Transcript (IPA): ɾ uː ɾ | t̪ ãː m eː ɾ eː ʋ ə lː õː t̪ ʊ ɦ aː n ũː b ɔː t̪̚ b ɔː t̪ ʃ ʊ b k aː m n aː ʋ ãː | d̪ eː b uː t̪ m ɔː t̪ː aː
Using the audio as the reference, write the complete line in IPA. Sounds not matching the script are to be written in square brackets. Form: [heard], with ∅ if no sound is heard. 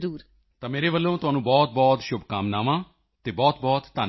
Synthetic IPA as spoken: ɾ uː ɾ | t̪ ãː m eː ɾ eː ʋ ə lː õː t̪ ʊ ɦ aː n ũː b ɔː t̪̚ b ɔː t̪ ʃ ʊ b k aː m n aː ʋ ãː | [t̪] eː b [ɔː] t̪ [b] ɔː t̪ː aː

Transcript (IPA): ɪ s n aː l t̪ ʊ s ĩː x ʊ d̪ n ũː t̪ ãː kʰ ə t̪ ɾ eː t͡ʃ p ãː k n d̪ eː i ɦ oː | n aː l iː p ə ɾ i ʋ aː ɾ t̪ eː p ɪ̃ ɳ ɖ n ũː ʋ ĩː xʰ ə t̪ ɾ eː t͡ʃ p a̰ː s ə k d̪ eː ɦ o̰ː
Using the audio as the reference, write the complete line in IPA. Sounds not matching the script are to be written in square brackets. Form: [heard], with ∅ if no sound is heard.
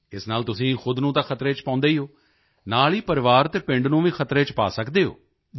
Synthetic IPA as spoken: ɪ s n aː l t̪ ʊ s ĩː x ʊ d̪ n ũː t̪ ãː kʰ ə t̪ ɾ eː t͡ʃ p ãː [∅] n d̪ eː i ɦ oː | n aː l iː p ə ɾ [ɪ] ʋ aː ɾ t̪ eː p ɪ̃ ɳ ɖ n ũː ʋ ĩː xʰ ə t̪ ɾ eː t͡ʃ p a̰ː s ə k d̪ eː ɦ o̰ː

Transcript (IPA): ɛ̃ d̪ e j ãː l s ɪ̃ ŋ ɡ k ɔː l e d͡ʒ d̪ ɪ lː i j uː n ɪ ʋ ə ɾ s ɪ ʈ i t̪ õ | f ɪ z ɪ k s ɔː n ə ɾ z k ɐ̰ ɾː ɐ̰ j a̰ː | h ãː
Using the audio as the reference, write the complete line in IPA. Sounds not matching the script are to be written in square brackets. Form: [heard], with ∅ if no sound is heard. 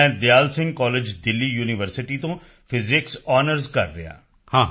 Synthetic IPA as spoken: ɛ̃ d̪ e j [aː] l s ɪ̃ ŋ ɡ k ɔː l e d͡ʒ d̪ ɪ lː i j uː n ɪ ʋ ə ɾ s ɪ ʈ i t̪ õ | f ɪ z ɪ k s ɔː n ə ɾ z k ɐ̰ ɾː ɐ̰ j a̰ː | h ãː

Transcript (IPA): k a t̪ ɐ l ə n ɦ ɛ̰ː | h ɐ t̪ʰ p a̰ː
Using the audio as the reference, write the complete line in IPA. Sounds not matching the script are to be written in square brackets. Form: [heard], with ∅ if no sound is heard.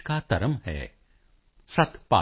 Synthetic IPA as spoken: k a t̪ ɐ [ɾ] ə [m] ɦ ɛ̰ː | [s] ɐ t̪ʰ p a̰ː

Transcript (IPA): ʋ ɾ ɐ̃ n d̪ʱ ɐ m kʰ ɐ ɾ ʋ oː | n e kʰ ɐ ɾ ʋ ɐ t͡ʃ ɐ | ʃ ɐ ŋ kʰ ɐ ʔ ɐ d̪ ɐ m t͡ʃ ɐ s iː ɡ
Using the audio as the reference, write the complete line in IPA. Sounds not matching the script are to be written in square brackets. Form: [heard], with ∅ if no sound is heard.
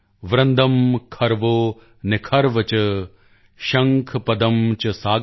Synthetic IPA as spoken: ʋ ɾ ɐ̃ n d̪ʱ ɐ m kʰ ɐ ɾ ʋ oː | n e kʰ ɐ ɾ ʋ ɐ t͡ʃ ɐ | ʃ ɐ ŋ kʰ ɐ [p] ɐ d̪ ɐ m t͡ʃ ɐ s [aː] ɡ

